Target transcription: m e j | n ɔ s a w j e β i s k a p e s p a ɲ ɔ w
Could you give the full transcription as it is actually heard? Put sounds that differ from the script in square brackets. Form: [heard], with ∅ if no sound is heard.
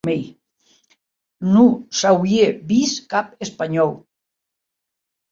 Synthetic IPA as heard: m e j | n [u] s a w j e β i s k a p e s p a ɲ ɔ w

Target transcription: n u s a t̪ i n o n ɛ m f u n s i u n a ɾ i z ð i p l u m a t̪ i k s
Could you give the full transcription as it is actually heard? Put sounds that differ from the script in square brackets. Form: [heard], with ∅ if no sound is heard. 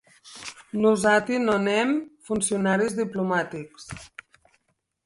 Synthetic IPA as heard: n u [z] a t̪ i n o n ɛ m f u n s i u n a ɾ i z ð i p l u m a t̪ i k s

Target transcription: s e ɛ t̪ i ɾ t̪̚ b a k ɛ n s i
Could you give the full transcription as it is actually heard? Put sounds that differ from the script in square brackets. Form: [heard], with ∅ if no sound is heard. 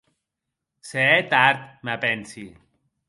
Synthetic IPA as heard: s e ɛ t̪ [a] ɾ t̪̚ [m] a [p] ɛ n s i

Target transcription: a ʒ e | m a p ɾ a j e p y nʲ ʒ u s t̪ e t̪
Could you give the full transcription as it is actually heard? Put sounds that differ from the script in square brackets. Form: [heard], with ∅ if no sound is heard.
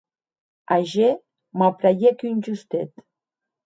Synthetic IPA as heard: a ʒ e | m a p ɾ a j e [k] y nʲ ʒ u s t̪ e t̪

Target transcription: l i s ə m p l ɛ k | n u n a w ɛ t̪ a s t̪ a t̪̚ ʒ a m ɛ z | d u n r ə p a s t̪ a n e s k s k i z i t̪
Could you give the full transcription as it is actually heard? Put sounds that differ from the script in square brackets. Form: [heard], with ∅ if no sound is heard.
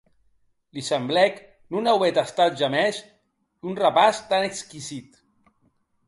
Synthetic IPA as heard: l i s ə m [b] l ɛ k | n u n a w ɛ t̪ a s t̪ a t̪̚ ʒ a m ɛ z | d u n r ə p a s t̪ a n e [∅] k s k i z i t̪

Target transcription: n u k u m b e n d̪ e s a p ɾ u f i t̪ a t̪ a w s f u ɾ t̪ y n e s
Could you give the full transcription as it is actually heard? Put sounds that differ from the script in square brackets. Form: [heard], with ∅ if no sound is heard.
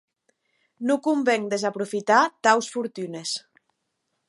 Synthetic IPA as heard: n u k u m b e [ŋ] d̪ e [z] a p ɾ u f i t̪ a t̪ a w s f u ɾ t̪ y n e s

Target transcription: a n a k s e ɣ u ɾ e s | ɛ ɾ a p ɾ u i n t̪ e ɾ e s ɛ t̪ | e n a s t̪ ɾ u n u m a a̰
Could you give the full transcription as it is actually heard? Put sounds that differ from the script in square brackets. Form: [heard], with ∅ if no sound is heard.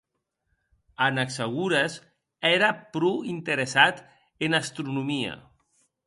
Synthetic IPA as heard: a n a k s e ɣ u ɾ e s | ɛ ɾ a p ɾ u i n t̪ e ɾ e s [a] t̪ | e n a s t̪ ɾ u n u m [i] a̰

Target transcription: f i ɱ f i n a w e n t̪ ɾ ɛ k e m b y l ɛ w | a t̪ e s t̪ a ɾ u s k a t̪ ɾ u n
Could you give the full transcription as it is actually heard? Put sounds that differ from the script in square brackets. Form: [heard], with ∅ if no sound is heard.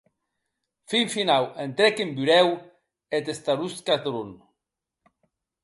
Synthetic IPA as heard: f i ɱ f i n a w e n t̪ ɾ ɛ k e m b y [ɾ] ɛ w | [e] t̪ e s t̪ a ɾ u s k a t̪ ɾ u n

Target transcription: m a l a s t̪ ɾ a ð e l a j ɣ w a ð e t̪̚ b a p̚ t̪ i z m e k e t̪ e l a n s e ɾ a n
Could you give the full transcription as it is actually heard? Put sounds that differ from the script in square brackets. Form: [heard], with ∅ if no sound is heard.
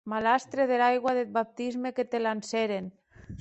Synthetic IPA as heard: m a l a s t̪ ɾ [e] ð e l a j ɣ w a ð e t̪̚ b a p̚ t̪ i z m e k e t̪ e l a n s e ɾ [e] n

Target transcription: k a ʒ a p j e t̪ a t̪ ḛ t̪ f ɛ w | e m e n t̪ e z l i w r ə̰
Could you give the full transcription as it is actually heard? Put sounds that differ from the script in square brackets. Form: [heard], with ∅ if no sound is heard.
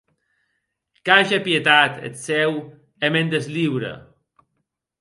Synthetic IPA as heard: k a ʒ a p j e t̪ a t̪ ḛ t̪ [s] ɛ w | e m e n [d̪] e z l i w [ɾ] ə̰

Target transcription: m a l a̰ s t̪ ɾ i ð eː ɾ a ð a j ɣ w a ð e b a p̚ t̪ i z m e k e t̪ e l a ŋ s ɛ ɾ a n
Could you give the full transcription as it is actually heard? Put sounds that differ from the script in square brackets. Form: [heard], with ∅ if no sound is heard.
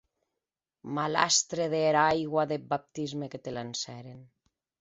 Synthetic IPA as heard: m a l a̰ s t̪ ɾ [e] ð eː ɾ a [∅] a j ɣ w a ð e b a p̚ t̪ i z m e k e t̪ e l a [n] s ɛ ɾ [e] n

